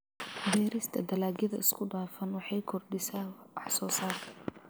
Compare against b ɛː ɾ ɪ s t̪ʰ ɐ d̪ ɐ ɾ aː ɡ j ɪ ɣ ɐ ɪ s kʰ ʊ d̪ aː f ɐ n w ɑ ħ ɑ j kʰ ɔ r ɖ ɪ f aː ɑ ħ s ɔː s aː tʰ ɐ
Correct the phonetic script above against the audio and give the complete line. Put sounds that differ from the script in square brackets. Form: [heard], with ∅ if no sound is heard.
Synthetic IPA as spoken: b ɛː ɾ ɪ s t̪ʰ ɐ d̪ ɐ [l] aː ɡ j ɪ [ð] ɐ ɪ s kʰ ʊ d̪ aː f ɐ n w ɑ ħ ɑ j kʰ ɔ r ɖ ɪ [s] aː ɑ ħ s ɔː s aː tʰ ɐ